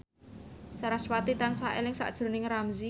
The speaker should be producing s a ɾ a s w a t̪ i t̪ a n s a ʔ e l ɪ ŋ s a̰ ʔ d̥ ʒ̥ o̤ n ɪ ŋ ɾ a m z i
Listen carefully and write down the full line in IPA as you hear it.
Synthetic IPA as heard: s a ɾ a s w a t̪ i t̪ a n s a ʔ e l ɪ ŋ s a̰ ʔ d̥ ʒ̥ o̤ n ɪ ŋ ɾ a m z i